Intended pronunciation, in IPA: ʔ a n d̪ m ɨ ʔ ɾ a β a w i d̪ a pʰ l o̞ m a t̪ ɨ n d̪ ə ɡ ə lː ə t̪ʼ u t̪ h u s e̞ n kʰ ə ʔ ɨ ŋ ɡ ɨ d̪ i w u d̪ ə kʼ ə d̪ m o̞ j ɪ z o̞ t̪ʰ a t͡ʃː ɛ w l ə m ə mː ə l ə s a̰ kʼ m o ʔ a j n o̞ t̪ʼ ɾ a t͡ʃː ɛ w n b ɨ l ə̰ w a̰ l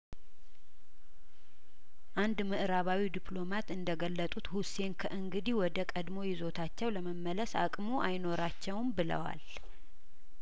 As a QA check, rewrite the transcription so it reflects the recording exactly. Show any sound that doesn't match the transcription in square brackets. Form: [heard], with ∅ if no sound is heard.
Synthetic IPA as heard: ʔ a n d̪ m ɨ ʔ ɾ a β a w i d̪ [i] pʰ l o̞ m a t̪ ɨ n d̪ ə ɡ ə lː ə t̪ʼ u t̪ h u s e̞ n kʰ ə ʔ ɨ ŋ ɡ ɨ d̪ i w [ɔ] d̪ ə kʼ ə d̪ m o̞ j ɪ z o̞ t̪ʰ a t͡ʃː ɛ w l ə m ə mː ə l ə s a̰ kʼ m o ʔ a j n o̞ [∅] ɾ a t͡ʃː ɛ w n b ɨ l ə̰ w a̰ l